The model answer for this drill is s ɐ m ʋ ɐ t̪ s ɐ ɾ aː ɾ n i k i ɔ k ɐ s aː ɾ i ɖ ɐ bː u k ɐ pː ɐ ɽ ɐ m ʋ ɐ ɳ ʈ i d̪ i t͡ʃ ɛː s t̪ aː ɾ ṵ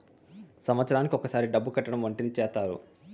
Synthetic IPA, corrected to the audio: s ɐ m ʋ ɐ t̪ s ɐ ɾ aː n i k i ɔ k ɐ s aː ɾ i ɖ ɐ bː u k ɐ ʈː ɐ ɽ ɐ m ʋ ɐ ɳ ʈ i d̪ i t͡ʃ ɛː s t̪ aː ɾ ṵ

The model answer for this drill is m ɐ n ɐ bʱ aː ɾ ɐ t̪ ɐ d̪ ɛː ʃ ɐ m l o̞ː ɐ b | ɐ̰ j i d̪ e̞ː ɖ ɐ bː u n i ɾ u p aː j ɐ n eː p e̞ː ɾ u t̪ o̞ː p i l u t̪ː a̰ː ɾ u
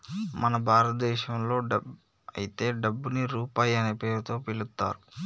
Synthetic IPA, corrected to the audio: m ɐ n ɐ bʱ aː ɾ ɐ t̪ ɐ d̪ ɛː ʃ ɐ m l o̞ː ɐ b | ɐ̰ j i t̪ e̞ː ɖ ɐ bː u n i ɾ uː p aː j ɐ n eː p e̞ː ɾ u t̪ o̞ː p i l u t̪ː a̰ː ɾ u

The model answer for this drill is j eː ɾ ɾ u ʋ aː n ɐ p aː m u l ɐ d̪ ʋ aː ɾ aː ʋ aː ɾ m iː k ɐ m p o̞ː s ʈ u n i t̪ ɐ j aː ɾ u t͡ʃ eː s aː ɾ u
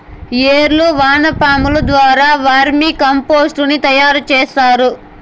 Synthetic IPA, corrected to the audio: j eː ɾ l u ʋ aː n ɐ p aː m u l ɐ d̪ ʋ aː ɾ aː ʋ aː ɾ m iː k ɐ m p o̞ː s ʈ u n i t̪ ɐ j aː ɾ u t͡ʃ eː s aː ɾ u

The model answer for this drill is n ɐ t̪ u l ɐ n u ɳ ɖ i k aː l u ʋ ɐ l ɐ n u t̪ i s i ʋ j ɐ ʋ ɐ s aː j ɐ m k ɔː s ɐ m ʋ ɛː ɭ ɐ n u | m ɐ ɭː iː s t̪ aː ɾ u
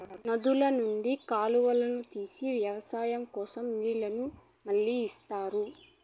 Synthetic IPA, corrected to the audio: n ɐ d̪ u l ɐ n u ɳ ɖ i k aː l u ʋ ɐ l ɐ n u t̪ iː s i ʋ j ɐ ʋ ɐ s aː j ɐ m k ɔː s ɐ m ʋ iː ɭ ɐ n u | m ɐ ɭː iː s t̪ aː ɾ u

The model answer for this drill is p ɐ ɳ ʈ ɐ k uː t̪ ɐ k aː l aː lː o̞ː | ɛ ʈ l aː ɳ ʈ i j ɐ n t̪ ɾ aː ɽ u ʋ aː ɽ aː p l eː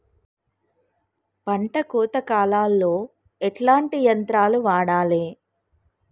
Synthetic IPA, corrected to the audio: p ɐ ɳ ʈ ɐ k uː t̪ ɐ k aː l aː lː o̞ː | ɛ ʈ l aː ɳ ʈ i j ɐ n t̪ ɾ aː l u ʋ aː ɽ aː l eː

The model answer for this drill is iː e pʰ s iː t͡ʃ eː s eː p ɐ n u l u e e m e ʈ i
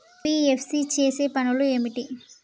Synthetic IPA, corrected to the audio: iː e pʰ s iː t͡ʃ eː s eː p ɐ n u l u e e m i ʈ i

